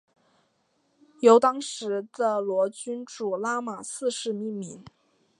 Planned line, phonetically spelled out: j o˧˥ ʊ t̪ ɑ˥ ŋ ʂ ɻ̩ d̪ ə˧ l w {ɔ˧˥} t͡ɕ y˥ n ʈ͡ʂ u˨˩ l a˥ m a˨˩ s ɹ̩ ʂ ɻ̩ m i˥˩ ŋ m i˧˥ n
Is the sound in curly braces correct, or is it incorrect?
correct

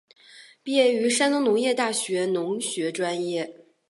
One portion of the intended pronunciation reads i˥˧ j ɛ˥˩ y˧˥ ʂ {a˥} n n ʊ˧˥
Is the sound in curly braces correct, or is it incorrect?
correct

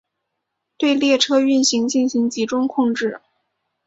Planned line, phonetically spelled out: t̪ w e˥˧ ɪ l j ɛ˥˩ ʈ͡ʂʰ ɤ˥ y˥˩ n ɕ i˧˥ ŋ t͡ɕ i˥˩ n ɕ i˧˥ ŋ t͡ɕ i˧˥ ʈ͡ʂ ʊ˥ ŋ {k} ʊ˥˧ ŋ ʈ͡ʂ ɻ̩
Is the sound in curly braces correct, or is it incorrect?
incorrect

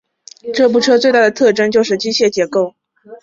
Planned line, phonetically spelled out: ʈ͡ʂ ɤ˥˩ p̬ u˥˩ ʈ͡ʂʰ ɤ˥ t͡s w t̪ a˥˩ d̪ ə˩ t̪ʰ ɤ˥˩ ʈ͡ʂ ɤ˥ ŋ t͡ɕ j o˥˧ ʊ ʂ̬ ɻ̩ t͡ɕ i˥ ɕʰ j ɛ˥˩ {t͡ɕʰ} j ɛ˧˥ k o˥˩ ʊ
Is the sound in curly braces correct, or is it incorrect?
incorrect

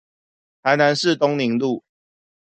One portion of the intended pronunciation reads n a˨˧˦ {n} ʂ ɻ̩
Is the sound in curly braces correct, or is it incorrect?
correct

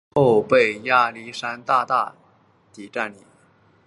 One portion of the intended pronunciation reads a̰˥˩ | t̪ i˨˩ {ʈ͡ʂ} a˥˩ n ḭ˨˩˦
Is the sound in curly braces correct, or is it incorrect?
correct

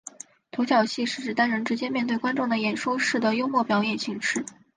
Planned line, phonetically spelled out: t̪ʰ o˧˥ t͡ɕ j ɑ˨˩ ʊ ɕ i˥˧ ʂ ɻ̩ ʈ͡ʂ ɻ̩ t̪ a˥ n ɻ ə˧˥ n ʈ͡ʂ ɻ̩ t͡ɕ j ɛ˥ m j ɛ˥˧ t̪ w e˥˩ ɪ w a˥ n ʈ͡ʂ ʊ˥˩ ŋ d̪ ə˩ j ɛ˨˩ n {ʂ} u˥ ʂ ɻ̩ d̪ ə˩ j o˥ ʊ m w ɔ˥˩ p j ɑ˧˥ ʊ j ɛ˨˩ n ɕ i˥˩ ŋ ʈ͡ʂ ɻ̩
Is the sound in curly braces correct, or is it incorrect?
correct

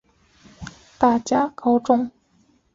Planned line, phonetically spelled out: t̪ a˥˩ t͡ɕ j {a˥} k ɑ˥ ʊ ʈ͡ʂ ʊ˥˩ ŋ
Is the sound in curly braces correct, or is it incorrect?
correct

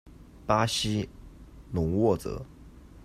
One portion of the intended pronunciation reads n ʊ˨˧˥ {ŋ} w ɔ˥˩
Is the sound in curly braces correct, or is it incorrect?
correct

